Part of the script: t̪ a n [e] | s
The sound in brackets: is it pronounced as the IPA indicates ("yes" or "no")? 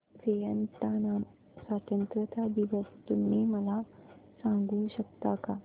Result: no